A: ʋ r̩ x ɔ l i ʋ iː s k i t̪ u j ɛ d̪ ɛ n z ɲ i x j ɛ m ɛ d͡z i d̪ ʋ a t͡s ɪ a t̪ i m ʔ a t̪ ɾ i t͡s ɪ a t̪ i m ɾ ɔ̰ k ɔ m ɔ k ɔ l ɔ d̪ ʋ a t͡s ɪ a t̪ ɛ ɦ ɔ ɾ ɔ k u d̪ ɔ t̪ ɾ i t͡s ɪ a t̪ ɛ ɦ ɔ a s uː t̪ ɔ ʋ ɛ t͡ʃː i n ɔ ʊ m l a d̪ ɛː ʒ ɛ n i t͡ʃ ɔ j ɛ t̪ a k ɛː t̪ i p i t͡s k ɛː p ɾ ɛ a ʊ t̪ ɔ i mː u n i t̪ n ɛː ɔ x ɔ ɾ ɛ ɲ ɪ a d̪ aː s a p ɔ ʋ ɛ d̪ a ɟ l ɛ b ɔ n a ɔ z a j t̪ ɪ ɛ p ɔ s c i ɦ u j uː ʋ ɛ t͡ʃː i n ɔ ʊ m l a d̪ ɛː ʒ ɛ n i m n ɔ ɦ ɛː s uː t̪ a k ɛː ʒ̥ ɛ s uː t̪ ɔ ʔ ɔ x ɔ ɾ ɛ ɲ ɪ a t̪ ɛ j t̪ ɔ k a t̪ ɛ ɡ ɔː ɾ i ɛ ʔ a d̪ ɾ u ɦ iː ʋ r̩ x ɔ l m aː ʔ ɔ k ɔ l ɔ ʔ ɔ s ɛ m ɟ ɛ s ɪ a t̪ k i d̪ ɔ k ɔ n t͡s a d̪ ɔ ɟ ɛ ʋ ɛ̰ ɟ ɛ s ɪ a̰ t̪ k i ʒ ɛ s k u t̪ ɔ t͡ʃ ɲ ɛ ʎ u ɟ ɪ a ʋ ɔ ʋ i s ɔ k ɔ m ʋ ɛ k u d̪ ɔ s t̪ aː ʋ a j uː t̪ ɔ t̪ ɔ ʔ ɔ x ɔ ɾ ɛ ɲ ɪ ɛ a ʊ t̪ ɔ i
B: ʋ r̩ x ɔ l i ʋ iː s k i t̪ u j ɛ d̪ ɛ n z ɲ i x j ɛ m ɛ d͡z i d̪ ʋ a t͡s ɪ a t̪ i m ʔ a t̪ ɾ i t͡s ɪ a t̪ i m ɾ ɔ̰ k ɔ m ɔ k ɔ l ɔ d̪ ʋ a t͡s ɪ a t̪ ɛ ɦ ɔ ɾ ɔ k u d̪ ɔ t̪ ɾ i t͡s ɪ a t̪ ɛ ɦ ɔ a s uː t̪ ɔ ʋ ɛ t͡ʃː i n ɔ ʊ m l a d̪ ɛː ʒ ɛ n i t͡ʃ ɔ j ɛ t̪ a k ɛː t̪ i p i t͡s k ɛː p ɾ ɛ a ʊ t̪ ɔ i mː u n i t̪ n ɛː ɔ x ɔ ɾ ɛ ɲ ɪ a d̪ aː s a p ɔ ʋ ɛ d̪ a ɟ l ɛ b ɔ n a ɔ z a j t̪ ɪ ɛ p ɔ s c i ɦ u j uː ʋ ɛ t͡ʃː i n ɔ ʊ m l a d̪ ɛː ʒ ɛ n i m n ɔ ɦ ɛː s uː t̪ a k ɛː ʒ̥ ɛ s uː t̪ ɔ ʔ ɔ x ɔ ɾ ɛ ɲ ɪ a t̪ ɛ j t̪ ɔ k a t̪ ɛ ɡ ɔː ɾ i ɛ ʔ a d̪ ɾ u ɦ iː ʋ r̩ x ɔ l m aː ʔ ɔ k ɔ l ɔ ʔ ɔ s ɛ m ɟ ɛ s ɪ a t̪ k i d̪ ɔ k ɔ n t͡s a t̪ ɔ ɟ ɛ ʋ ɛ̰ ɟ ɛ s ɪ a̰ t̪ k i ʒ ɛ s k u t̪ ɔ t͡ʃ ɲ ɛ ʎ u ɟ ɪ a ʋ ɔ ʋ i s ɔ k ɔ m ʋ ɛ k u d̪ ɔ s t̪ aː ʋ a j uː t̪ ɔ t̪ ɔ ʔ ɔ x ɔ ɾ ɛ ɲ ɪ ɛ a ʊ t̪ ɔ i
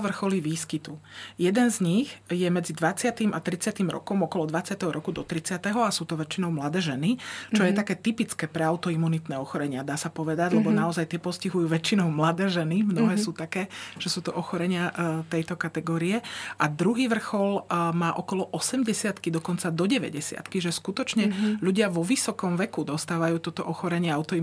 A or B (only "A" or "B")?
A